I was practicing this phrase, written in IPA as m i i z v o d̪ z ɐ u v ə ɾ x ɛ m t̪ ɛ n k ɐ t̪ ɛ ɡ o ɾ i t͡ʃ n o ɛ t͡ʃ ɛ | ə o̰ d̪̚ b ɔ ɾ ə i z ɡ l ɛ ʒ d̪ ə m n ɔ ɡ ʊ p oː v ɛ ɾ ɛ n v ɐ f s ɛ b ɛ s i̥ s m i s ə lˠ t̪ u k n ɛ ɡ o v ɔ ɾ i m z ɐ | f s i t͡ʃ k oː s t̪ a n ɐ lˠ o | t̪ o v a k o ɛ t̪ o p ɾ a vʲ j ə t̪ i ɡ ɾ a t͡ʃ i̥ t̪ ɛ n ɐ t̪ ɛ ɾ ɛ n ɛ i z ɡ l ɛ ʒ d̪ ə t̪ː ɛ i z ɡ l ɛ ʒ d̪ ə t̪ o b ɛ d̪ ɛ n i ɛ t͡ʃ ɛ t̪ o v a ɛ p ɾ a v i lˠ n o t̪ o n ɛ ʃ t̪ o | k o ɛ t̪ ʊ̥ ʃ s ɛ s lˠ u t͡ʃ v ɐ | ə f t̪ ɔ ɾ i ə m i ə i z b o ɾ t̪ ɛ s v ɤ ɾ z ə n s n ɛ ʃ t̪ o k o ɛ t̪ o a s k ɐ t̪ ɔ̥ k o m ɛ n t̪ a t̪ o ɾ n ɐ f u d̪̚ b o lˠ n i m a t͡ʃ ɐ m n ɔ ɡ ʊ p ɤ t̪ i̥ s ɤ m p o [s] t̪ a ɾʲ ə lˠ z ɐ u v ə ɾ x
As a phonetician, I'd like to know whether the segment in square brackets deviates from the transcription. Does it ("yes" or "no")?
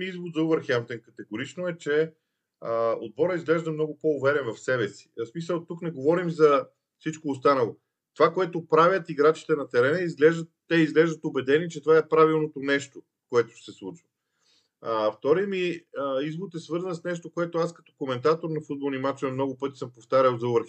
yes